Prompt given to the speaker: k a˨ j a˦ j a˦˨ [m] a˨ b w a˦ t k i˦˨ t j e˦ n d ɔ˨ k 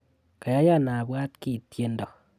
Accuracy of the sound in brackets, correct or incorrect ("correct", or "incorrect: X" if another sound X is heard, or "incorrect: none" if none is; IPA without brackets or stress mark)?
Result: incorrect: n